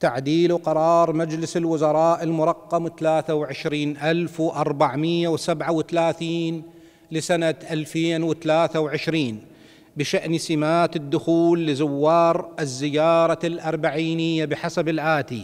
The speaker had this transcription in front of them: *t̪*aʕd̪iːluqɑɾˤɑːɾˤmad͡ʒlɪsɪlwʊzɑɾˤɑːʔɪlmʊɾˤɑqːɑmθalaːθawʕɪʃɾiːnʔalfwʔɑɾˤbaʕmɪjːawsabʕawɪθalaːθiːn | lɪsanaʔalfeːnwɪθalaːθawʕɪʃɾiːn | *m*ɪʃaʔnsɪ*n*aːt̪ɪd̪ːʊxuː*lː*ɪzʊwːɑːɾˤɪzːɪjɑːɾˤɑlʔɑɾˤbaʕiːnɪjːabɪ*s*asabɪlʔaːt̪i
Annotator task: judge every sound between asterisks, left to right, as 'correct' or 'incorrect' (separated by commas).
correct, incorrect, incorrect, correct, incorrect